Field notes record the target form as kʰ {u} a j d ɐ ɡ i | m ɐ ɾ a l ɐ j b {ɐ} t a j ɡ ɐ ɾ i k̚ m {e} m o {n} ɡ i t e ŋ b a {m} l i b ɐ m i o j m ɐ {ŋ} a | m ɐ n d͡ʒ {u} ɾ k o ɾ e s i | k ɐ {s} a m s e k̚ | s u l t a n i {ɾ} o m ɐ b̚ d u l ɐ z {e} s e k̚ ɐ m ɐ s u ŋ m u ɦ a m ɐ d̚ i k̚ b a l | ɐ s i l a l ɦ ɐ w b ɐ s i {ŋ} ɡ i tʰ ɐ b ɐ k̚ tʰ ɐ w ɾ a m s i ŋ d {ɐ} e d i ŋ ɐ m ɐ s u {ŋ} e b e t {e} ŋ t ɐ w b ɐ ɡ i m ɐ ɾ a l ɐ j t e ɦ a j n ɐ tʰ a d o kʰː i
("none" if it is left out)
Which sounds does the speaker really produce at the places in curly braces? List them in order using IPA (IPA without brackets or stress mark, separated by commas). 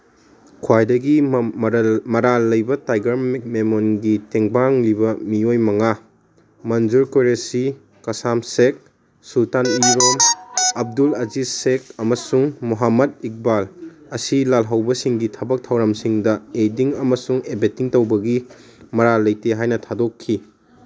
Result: w, ɐ, e, n, ŋ, ŋ, u, s, ɾ, i, ŋ, ɐ, ŋ, i